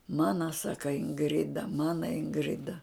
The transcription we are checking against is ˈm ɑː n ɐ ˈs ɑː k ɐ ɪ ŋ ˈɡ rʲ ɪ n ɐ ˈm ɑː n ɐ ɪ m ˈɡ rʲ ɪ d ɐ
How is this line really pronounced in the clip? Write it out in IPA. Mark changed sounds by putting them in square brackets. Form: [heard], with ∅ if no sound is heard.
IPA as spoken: ˈm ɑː n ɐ ˈs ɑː k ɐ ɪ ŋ ˈɡ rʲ ɪ [d] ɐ ˈm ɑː n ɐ ɪ [ŋ] ˈɡ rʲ ɪ d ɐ